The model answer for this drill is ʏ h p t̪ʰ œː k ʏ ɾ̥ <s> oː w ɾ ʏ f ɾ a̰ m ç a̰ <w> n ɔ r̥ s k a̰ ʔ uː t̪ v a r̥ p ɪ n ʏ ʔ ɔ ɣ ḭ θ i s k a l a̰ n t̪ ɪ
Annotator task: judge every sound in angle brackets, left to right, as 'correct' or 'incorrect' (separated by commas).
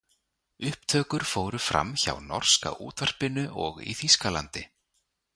incorrect, correct